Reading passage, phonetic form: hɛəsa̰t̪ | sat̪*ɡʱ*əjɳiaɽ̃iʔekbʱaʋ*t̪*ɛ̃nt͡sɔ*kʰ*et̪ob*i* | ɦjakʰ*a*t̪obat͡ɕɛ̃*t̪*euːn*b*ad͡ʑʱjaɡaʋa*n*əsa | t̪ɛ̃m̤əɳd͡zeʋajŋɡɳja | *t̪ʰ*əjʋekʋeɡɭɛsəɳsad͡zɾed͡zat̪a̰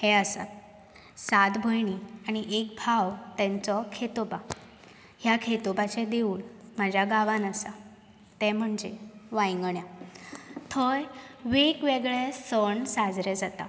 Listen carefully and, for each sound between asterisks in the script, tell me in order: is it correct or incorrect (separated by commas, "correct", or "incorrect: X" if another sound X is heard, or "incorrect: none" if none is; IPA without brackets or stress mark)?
incorrect: bʱ, correct, correct, incorrect: a, incorrect: e, incorrect: d̪, incorrect: m, correct, correct